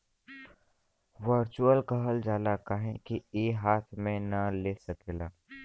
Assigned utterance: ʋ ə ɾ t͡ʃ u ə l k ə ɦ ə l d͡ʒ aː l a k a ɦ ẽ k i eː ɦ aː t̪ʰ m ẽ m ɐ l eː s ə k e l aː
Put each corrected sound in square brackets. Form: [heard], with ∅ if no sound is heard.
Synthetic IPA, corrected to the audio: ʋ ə ɾ t͡ʃ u ə l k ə ɦ ə l d͡ʒ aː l a k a ɦ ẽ k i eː ɦ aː t̪ʰ m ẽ [n] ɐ l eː s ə k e l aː